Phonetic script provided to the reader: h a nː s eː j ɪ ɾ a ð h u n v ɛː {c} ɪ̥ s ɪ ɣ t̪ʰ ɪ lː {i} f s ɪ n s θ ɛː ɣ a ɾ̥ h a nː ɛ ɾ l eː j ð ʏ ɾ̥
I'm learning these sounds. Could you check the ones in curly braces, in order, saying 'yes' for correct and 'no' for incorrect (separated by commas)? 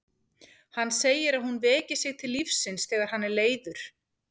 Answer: yes, yes